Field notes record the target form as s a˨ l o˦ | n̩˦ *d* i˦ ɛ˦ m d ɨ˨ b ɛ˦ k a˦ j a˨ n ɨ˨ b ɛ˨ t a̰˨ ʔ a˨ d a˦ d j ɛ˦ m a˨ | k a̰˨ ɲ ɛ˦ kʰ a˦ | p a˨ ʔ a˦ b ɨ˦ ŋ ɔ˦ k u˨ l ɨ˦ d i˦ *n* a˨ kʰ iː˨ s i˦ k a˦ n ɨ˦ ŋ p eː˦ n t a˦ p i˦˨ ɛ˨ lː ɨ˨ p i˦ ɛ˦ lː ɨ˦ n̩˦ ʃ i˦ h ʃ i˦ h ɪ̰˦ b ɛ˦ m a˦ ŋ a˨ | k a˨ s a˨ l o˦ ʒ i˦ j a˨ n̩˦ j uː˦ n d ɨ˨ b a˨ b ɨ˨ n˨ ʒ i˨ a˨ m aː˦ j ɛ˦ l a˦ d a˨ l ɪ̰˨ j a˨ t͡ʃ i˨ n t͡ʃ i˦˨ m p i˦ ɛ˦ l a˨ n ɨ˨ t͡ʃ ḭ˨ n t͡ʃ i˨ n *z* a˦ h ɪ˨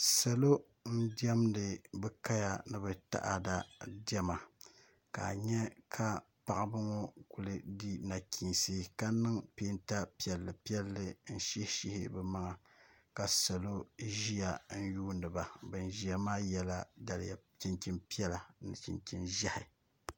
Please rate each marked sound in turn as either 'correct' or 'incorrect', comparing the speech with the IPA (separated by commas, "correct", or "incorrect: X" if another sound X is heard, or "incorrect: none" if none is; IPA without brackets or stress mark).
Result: correct, correct, incorrect: ʒ